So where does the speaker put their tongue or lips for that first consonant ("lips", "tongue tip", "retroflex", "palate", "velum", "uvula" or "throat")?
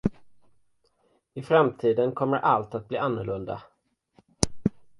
lips